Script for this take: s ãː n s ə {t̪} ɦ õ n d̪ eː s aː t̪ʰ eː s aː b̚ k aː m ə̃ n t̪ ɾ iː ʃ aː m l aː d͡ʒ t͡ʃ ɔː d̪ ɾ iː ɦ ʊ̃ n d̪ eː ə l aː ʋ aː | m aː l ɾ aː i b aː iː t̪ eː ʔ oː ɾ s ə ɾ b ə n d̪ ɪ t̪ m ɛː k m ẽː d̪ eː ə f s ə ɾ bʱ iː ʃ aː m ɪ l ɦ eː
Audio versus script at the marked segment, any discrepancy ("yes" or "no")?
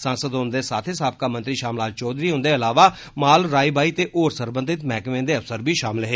yes